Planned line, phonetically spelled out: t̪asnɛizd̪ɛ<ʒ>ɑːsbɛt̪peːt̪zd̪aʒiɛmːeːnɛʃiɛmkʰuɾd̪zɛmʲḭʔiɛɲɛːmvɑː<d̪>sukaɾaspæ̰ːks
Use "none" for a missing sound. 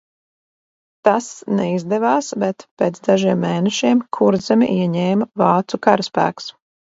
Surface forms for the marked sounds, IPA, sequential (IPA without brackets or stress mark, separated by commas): v, t̪